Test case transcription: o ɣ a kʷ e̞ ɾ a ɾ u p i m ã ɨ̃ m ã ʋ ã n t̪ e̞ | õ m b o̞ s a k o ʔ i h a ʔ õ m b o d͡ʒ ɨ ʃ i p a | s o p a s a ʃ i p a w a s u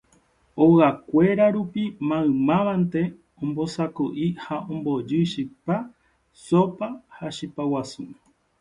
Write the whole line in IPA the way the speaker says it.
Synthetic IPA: o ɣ a kʷ e̞ ɾ a ɾ u p i m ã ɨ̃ m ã ʋ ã n t̪ e̞ | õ m b o̞ s a k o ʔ i h a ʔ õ m b o d͡ʒ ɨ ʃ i p a | s o p a h a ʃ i p a w a s u